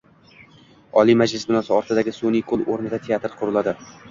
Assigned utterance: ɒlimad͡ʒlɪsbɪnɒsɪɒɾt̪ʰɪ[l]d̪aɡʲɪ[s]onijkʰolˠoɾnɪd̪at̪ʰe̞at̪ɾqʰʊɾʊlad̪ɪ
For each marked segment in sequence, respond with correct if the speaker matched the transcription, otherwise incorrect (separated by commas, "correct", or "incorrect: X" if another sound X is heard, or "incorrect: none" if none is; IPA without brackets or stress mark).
incorrect: none, correct